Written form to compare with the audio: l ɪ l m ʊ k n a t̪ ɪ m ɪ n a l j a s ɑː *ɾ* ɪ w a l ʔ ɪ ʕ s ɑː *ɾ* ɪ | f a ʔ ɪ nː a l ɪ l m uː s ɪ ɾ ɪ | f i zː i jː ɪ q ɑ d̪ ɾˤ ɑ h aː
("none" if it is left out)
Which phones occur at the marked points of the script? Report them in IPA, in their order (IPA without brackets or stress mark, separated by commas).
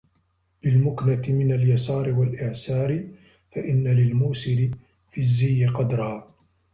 ɾ, ɾ